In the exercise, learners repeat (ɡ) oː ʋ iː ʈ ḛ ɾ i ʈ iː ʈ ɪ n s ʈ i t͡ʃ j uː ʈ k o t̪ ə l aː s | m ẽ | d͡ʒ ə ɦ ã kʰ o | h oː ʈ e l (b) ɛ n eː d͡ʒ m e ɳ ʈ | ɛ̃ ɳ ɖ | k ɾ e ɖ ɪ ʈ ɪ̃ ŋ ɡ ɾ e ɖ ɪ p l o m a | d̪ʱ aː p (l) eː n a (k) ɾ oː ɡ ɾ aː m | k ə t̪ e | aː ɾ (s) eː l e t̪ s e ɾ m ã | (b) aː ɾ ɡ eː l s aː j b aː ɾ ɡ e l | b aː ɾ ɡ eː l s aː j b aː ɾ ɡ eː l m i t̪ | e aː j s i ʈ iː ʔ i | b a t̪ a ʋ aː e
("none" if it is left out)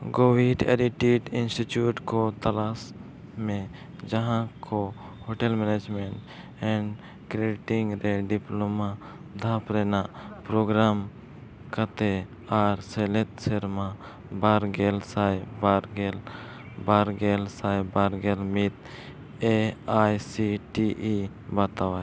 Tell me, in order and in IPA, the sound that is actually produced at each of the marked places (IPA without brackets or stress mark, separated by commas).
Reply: ɡ, m, ɾ, p, s, b